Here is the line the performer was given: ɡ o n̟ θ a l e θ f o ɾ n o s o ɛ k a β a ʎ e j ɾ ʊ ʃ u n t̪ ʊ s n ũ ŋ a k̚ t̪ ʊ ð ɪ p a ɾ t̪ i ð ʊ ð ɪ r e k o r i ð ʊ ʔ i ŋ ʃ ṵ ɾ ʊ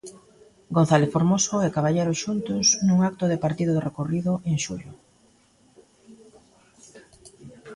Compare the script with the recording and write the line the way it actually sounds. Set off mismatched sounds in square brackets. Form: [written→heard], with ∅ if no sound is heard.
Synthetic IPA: ɡ o n̟ θ a l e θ f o ɾ [n→m] o s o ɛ k a β a ʎ e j ɾ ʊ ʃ u n t̪ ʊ s n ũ ŋ a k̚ t̪ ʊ ð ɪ p a ɾ t̪ i ð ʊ ð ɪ r e k o r i ð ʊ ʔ [i→e] ŋ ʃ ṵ [ɾ→ʎ] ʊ